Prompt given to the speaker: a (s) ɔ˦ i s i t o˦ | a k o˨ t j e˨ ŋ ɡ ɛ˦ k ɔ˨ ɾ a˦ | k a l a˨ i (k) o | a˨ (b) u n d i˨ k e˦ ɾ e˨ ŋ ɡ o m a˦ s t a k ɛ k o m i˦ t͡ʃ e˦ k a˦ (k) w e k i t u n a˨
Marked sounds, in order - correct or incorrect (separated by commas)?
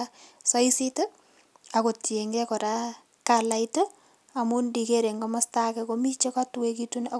correct, incorrect, incorrect, incorrect